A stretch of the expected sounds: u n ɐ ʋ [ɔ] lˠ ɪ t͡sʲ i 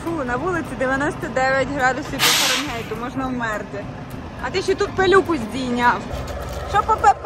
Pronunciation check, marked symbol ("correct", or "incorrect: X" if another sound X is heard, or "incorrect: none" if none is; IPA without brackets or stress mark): incorrect: u